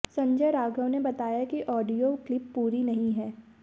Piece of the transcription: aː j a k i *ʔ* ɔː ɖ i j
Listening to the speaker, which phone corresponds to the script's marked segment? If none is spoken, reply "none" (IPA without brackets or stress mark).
ʔ